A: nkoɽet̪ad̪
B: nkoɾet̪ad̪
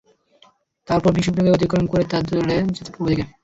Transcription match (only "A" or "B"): B